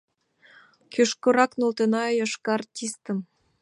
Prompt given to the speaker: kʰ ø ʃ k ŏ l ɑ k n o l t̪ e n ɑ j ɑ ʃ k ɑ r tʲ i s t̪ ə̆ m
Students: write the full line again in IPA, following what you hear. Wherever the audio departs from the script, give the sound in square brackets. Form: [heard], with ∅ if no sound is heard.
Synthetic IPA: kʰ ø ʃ k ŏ [ɾ] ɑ k n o l t̪ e n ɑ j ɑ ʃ k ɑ r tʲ i s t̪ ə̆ m